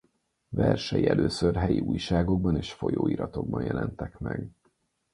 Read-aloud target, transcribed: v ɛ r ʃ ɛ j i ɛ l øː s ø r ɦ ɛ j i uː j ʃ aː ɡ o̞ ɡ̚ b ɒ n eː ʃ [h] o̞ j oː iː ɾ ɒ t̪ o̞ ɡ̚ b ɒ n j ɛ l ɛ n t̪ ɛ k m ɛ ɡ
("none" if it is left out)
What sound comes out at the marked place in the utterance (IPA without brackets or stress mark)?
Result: f